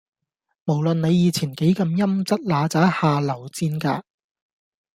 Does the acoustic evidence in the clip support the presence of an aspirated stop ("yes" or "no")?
yes